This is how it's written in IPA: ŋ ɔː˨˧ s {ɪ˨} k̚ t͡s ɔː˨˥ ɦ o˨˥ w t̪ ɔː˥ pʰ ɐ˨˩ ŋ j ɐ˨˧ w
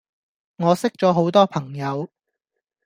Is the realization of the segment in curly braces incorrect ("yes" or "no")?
yes